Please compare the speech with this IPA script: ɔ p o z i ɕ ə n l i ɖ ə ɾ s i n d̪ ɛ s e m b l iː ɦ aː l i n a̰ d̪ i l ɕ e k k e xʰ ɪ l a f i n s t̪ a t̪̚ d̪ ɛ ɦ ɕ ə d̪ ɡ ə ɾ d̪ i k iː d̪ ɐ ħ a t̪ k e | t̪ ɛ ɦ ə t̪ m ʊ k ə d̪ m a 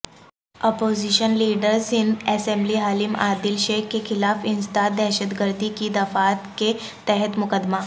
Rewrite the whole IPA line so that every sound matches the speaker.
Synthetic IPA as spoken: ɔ p o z i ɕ ə n l i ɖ ə ɾ s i n d̪ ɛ s e m b l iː ɦ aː l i m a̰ d̪ i l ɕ e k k e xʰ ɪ l a f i n s t̪ a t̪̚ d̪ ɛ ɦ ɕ ə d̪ ɡ ə ɾ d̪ i k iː d̪ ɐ f a t̪ k e | t̪ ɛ ɦ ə t̪ m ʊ k ə d̪ m a

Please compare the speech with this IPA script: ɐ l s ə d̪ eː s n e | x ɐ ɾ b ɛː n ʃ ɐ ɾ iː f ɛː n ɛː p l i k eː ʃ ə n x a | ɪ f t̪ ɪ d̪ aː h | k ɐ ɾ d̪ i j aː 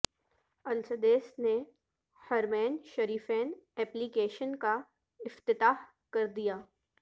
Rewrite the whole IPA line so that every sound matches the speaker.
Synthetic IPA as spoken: ɐ l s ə d̪ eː s n e | h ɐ ɾ m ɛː n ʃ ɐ ɾ iː f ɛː n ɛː p l i k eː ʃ ə n k a | ɪ f t̪ ɪ t̪ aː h | k ɐ ɾ d̪ i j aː

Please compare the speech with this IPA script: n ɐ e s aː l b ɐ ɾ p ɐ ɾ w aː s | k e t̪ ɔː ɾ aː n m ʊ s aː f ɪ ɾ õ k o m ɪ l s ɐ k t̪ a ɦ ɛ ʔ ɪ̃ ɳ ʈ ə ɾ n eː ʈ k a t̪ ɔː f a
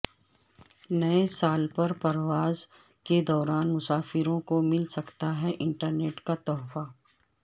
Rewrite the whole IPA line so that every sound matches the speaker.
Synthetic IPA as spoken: n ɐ e s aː l p ɐ ɾ p ɐ ɾ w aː z | k e d̪ ɔː ɾ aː n m ʊ s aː f ɪ ɾ õ k o m ɪ l s ɐ k t̪ a ɦ ɛ ʔ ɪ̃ ɳ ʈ ə ɾ n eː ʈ k a t̪ ɔː f a

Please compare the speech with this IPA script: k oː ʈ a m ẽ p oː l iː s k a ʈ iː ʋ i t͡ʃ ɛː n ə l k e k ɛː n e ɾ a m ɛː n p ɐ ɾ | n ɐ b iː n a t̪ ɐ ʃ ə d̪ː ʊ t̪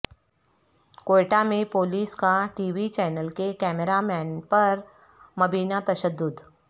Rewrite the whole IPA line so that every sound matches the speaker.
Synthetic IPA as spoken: k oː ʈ a m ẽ p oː l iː s k a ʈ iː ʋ i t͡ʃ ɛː n ə l k e k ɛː m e ɾ a m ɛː n p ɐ ɾ | m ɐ b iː n a t̪ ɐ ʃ ə d̪ː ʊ d̪

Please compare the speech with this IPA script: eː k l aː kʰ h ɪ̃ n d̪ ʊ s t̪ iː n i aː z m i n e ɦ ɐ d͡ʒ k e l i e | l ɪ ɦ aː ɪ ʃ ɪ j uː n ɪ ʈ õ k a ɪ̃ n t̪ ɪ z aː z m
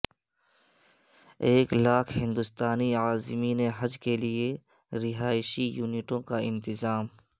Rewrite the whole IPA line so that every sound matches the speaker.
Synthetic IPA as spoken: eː k l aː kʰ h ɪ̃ n d̪ ʊ s t̪ aː n i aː z m i n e ɦ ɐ d͡ʒ k e l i e | ɾ ɪ ɦ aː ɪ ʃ i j uː n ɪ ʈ õ k a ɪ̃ n t̪ ɪ z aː m

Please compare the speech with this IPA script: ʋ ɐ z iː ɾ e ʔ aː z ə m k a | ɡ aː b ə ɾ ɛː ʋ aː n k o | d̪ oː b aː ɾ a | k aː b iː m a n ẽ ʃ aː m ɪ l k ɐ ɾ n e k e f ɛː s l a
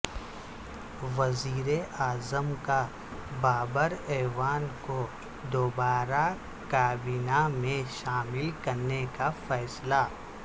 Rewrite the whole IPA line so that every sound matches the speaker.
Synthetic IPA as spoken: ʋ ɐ z iː ɾ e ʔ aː z ə m k a | b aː b ə ɾ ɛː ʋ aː n k o | d̪ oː b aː ɾ a | k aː b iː n a m ẽ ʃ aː m ɪ l k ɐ ɾ n e k a f ɛː s l a

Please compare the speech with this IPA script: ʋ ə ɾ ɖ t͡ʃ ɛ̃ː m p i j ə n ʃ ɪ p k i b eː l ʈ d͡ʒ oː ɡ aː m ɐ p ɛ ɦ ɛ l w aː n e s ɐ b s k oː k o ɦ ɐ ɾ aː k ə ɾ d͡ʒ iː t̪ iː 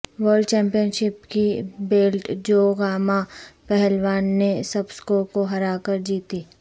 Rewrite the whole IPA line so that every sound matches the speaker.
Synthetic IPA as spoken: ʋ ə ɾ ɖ t͡ʃ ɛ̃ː m p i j ə n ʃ ɪ p k i b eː l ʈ d͡ʒ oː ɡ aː m a p ɛ ɦ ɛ l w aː nː e s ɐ b s k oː k o ɦ ɐ ɾ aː k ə ɾ d͡ʒ iː t̪ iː

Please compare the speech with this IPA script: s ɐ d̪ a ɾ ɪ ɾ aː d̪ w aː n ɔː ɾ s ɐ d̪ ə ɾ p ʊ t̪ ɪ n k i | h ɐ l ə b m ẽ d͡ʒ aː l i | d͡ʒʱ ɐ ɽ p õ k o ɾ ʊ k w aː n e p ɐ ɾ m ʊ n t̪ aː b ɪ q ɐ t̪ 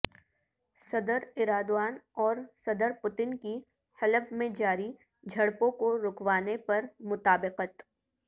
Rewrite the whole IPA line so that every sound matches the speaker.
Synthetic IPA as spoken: s ɐ d̪ ə ɾ ɪ ɾ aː d̪ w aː n ɔː ɾ s ɐ d̪ ə ɾ p ʊ t̪ ɪ n k i | h ɐ l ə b m ẽ d͡ʒ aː ɾ i | d͡ʒʱ ɐ ɽ p õ k o ɾ ʊ k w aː n e p ɐ ɾ m ʊ t̪ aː b ɪ q ə t̪

